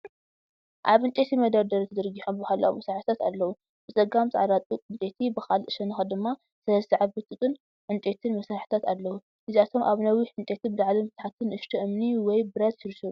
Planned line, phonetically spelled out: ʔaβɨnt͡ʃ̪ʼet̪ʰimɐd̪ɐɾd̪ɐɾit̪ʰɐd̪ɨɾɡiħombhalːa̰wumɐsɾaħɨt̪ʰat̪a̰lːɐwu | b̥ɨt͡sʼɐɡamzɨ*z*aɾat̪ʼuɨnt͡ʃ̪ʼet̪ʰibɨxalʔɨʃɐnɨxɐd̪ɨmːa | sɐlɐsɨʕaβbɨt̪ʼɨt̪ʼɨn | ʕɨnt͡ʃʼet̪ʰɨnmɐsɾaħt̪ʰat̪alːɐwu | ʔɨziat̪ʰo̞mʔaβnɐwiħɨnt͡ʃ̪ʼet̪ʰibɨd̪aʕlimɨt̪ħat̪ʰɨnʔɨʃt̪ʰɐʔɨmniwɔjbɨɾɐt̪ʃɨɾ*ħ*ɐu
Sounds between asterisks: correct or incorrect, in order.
incorrect: ʕ, incorrect: ʃ

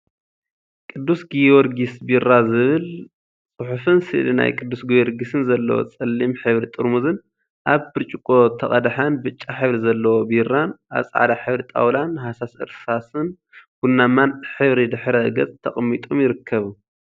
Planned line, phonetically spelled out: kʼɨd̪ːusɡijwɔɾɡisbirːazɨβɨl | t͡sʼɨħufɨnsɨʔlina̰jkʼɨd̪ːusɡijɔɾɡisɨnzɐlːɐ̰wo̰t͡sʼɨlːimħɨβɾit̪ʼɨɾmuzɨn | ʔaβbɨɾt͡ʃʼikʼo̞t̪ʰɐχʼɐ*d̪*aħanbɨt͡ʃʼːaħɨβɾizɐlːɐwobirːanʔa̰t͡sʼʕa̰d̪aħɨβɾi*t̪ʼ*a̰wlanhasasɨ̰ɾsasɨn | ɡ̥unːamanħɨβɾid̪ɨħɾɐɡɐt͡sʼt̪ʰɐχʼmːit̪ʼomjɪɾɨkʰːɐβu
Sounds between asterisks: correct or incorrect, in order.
correct, correct

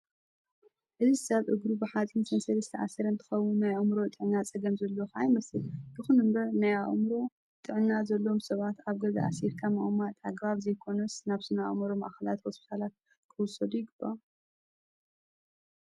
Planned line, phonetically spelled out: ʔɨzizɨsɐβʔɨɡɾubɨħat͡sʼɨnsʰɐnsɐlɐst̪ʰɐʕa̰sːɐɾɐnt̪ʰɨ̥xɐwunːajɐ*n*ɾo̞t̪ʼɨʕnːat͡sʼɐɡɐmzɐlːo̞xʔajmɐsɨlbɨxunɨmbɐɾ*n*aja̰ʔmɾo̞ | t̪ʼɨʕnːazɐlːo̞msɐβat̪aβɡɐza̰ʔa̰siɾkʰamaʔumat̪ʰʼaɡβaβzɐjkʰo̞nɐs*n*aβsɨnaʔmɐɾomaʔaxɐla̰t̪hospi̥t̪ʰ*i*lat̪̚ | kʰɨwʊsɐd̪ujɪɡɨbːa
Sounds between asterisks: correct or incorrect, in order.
incorrect: m, correct, correct, incorrect: a

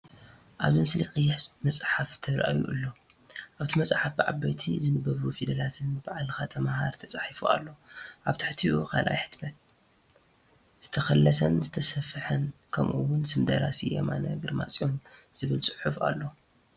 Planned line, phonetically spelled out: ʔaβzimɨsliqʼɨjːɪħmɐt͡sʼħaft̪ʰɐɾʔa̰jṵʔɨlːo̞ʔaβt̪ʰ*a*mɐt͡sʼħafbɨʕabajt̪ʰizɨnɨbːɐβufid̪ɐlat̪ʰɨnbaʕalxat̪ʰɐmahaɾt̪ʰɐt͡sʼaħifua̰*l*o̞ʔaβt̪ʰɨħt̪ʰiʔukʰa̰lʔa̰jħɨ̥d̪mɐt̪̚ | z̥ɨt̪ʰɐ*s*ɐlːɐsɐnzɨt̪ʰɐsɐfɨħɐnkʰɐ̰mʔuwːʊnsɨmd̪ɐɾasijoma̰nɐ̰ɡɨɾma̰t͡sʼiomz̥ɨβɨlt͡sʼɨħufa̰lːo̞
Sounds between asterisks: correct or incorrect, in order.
incorrect: i, incorrect: lː, incorrect: x

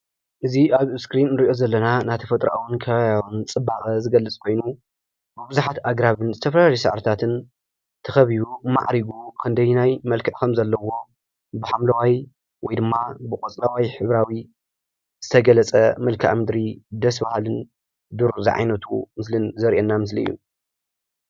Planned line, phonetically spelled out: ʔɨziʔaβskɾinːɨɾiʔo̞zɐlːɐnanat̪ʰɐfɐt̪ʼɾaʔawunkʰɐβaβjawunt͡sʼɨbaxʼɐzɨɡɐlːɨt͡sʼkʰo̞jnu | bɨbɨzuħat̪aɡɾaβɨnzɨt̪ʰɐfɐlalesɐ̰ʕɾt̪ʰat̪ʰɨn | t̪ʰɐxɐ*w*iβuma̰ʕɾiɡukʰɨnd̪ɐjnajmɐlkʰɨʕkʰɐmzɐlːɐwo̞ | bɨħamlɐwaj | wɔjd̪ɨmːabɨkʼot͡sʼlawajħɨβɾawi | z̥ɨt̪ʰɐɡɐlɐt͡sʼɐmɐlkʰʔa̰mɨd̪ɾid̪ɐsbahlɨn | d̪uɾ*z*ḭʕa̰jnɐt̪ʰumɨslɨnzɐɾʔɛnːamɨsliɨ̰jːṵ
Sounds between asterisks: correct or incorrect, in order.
incorrect: β, correct

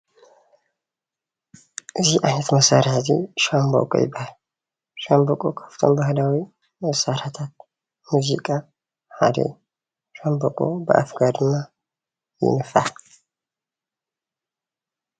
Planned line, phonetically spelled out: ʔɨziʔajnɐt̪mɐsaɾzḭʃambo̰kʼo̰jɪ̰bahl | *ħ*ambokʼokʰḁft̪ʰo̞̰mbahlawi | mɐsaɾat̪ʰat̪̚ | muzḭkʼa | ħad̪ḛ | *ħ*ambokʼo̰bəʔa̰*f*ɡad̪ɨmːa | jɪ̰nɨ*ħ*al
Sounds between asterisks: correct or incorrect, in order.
incorrect: ʃ, incorrect: ʃ, correct, incorrect: f

